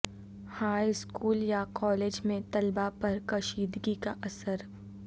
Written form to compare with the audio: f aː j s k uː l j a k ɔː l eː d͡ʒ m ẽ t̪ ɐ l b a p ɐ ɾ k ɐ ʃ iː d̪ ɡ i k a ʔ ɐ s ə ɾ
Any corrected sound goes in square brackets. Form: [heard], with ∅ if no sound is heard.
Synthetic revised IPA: [h] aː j s k uː l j a k ɔː l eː d͡ʒ m ẽ t̪ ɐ l b a p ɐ ɾ k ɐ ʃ iː d̪ ɡ i k a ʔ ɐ s ə ɾ